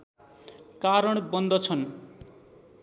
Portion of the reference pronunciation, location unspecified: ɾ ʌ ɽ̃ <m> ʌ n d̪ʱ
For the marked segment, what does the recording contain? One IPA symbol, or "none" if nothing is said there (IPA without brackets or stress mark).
b